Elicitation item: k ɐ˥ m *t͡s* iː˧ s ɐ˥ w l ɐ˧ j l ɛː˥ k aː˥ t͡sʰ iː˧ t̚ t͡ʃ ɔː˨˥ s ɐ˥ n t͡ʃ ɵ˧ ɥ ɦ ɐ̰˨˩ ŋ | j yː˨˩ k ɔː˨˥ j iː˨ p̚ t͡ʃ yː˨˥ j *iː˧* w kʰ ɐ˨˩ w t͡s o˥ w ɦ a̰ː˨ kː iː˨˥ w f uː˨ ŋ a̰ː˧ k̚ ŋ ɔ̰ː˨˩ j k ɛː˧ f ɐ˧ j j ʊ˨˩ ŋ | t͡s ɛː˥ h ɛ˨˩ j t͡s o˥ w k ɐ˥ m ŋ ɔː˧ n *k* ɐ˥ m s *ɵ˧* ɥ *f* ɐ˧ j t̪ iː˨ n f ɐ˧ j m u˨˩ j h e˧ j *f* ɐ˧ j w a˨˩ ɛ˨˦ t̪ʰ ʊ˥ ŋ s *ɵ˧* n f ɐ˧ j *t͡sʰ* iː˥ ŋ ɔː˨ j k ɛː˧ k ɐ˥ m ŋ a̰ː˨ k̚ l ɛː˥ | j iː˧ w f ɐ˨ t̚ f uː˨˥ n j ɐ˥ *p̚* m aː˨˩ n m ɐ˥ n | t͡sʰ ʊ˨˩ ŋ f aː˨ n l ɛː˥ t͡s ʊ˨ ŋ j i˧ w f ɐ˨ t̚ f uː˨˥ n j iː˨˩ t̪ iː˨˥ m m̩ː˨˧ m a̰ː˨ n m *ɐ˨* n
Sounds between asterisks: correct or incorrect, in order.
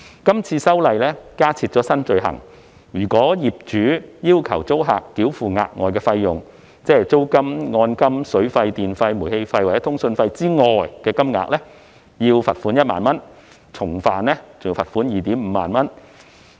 incorrect, incorrect, correct, incorrect, correct, correct, correct, incorrect, incorrect, incorrect

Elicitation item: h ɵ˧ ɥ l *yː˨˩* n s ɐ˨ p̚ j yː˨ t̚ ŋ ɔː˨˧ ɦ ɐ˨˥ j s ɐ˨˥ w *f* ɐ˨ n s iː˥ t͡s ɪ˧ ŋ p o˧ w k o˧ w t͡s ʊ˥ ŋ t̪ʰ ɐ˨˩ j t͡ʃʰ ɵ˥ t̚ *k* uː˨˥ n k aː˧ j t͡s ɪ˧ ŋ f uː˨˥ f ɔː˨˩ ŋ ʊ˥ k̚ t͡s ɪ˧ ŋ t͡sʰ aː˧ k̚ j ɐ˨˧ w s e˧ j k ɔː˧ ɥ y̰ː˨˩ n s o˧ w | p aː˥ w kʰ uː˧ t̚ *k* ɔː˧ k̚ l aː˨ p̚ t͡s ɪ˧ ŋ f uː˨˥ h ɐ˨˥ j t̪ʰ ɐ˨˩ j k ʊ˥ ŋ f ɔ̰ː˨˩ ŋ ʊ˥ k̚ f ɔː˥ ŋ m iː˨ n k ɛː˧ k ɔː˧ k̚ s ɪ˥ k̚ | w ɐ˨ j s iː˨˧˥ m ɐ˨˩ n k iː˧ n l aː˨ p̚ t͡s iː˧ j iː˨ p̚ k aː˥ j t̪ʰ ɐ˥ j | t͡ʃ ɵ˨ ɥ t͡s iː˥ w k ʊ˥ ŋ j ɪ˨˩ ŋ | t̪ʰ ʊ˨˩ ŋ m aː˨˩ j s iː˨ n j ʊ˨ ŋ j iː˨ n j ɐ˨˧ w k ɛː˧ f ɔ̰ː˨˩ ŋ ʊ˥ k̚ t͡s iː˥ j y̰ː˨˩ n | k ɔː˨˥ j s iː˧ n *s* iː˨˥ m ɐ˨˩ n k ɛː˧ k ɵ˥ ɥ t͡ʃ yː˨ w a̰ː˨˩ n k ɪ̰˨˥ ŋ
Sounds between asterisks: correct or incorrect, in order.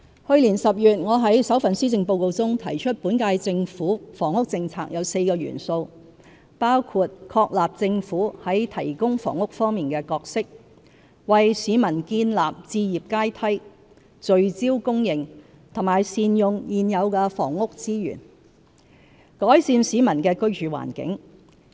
incorrect, correct, incorrect, incorrect, correct

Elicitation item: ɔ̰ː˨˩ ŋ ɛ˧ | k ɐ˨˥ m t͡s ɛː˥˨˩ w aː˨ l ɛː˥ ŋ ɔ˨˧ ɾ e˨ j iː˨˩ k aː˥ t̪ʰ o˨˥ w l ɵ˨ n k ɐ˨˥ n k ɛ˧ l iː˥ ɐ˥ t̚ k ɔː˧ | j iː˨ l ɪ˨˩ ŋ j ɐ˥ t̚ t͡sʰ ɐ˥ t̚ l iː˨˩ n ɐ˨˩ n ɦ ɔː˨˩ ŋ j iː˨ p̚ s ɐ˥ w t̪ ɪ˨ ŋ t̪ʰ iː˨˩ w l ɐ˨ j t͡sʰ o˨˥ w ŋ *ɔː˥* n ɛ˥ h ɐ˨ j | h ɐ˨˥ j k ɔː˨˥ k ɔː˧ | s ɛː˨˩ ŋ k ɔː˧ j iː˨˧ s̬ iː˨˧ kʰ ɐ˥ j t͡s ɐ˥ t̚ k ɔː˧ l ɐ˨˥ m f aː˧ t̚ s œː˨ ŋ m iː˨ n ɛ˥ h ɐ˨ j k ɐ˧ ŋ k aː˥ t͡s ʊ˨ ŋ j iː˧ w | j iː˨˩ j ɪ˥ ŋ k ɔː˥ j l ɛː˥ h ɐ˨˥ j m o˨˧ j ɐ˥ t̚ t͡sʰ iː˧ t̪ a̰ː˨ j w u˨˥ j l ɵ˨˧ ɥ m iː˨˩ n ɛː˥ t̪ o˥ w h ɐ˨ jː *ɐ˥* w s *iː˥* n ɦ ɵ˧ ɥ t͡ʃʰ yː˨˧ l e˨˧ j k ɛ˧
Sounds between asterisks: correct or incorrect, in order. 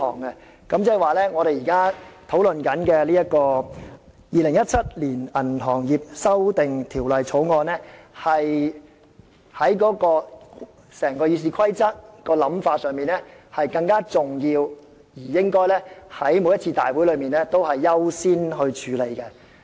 incorrect, correct, correct

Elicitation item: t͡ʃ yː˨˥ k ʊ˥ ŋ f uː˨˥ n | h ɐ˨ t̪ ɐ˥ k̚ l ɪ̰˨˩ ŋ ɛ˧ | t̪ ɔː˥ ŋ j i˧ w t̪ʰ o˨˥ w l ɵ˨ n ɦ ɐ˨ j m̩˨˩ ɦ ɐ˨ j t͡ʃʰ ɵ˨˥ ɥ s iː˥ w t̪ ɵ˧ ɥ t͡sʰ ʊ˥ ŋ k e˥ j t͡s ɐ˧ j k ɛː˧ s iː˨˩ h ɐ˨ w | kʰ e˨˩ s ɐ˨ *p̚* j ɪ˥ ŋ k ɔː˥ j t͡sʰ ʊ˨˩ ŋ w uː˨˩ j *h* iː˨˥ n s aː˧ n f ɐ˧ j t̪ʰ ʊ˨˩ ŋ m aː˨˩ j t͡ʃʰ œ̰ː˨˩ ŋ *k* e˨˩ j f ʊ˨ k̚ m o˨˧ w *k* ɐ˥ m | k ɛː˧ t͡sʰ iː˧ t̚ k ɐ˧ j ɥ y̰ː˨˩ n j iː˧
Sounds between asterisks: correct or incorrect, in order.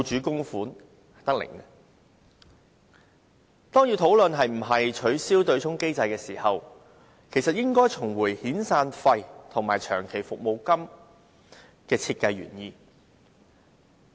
incorrect, correct, incorrect, correct

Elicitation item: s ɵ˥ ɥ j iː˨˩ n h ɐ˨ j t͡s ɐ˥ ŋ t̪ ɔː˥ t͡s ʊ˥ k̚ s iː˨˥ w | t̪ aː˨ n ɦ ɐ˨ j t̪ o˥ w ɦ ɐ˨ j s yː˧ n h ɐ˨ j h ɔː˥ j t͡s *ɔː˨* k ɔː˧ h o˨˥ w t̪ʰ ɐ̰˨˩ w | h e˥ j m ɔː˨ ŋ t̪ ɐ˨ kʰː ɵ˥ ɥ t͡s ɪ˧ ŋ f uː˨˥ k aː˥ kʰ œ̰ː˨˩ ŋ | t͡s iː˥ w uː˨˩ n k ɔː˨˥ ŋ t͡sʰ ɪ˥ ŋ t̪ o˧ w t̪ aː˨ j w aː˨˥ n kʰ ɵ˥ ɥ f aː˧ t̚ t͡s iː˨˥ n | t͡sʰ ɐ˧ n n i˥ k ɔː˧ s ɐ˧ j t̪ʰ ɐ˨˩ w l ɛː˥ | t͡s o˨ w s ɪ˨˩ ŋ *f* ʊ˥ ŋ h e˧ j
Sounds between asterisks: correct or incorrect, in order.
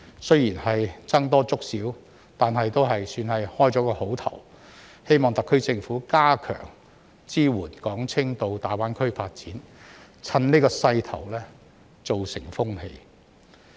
incorrect, correct

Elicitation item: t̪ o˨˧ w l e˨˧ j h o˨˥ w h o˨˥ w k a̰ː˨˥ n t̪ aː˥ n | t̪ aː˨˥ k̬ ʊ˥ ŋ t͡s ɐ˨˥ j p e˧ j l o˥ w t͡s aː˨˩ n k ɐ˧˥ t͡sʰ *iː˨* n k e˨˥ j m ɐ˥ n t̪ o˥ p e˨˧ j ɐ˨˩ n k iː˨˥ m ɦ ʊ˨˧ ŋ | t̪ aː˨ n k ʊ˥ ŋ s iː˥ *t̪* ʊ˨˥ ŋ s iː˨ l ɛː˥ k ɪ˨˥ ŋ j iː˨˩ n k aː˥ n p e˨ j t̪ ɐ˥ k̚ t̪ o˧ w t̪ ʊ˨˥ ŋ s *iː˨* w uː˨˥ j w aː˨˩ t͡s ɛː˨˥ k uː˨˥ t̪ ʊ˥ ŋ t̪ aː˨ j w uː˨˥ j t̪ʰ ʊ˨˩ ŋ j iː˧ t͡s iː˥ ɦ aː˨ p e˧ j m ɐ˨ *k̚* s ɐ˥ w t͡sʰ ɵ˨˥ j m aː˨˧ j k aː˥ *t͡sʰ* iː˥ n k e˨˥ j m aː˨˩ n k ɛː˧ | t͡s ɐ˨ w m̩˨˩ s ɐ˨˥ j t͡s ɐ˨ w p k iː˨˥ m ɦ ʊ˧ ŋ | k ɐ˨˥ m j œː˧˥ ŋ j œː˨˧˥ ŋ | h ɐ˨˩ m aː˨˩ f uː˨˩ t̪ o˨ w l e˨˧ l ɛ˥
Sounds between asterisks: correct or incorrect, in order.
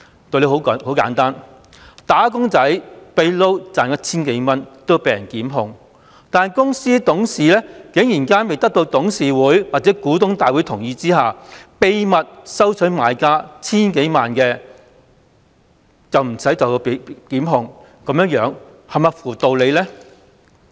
incorrect, correct, correct, incorrect, correct

